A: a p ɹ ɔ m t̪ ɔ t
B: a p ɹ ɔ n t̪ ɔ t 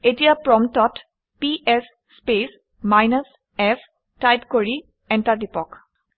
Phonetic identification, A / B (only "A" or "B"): A